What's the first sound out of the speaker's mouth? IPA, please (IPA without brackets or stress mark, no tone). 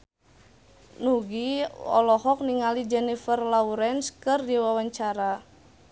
n